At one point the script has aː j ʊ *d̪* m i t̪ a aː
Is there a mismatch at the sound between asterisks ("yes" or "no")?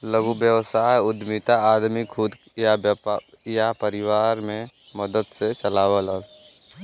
no